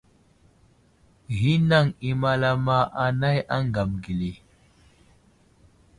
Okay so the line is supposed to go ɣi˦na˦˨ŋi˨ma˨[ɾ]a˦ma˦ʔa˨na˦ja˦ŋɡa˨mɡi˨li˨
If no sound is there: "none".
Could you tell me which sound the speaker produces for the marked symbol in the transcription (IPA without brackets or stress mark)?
l